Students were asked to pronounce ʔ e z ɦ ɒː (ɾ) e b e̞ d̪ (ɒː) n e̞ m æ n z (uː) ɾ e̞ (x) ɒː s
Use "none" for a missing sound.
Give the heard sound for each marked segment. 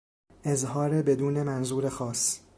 ɾ, uː, uː, x

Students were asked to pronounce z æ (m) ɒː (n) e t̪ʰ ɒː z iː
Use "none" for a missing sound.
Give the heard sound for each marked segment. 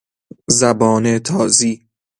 b, n

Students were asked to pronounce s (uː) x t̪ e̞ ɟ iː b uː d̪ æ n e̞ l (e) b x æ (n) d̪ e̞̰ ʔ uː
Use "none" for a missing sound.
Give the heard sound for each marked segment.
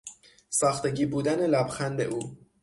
ɒː, æ, n

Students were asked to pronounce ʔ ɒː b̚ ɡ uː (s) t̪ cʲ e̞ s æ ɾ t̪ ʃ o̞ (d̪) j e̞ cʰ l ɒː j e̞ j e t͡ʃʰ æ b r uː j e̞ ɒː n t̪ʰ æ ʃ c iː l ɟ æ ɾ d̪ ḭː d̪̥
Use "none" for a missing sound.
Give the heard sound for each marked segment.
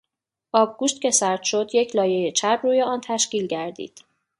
ʃ, d̪

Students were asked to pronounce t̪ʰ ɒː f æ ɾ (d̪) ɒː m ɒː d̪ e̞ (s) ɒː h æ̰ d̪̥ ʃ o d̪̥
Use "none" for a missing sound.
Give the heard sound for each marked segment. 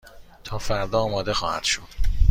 d̪, x

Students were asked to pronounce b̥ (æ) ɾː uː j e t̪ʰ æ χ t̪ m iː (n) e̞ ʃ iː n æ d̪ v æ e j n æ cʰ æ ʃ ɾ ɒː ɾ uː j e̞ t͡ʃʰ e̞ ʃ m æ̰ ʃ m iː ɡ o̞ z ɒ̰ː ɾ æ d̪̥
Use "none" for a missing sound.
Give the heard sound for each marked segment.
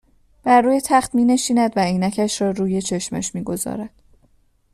æ, n

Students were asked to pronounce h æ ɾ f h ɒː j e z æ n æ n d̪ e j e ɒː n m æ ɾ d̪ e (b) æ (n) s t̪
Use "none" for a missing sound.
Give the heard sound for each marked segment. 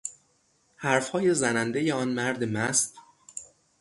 m, none

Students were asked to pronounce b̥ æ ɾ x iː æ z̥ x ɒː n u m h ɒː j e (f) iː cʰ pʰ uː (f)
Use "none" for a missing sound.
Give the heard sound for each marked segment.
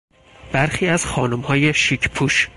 ʃ, ʃ

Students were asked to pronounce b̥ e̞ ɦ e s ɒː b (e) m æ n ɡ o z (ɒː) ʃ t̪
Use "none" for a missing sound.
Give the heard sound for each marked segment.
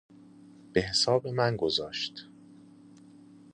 e, ɒː

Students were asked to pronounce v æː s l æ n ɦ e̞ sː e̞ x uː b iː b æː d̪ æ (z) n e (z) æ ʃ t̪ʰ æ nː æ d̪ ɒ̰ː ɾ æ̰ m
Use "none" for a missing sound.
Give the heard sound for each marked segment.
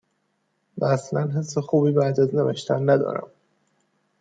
z, v

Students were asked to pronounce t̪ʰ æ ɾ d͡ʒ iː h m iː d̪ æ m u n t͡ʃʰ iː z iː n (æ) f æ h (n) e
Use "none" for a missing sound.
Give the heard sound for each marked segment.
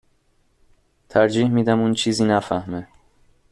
æ, m

